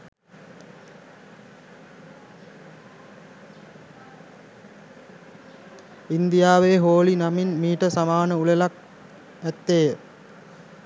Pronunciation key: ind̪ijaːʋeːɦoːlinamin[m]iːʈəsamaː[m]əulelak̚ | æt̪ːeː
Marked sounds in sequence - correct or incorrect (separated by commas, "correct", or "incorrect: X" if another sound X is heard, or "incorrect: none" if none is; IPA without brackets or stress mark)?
correct, incorrect: n